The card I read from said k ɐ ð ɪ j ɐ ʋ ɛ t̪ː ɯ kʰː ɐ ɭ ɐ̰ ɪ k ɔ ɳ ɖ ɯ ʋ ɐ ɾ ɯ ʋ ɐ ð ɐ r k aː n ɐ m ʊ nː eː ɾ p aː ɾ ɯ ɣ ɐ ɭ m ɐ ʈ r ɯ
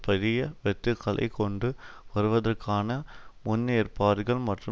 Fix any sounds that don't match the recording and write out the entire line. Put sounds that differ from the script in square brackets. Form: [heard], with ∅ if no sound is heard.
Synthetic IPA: [p] ɐ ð ɪ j ɐ ʋ ɛ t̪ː ɯ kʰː ɐ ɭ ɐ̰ ɪ k ɔ ɳ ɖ ɯ ʋ ɐ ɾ ɯ ʋ ɐ ð ɐ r k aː n ɐ m ʊ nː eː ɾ p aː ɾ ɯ ɣ ɐ ɭ m ɐ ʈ r ɯ